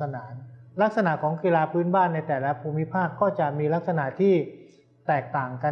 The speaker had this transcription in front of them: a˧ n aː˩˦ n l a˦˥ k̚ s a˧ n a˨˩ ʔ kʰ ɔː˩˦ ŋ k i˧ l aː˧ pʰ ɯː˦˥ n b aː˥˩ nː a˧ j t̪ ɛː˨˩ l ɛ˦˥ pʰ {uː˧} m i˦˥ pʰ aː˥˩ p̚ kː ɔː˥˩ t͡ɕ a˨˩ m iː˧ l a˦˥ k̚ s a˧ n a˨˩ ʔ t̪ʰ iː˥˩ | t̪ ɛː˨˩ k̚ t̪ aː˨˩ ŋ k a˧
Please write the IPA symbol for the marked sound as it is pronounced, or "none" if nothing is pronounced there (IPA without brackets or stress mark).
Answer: uː˧